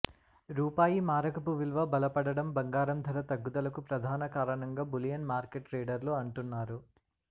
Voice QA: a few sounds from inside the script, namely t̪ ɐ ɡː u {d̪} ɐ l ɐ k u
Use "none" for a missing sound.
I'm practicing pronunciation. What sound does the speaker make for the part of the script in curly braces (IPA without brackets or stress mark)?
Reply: d̪